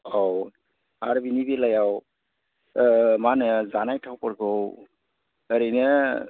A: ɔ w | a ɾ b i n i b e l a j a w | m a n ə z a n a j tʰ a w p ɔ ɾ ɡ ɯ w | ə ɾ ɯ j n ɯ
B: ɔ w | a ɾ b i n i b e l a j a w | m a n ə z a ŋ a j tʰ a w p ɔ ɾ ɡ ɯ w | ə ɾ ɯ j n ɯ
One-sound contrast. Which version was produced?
A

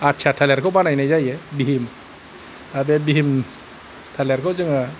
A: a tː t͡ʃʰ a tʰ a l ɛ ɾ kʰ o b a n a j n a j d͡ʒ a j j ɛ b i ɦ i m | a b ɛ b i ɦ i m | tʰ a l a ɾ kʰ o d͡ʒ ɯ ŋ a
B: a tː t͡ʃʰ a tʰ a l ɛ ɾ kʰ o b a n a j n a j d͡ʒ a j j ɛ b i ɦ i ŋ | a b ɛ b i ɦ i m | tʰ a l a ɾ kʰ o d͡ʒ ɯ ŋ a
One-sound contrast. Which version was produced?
A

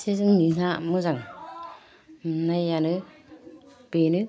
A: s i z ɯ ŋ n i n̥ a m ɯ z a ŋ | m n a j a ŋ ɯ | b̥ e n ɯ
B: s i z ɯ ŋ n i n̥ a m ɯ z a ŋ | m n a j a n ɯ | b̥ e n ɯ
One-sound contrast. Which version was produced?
B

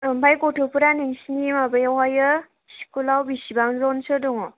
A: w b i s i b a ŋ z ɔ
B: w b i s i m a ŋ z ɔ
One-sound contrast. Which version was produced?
A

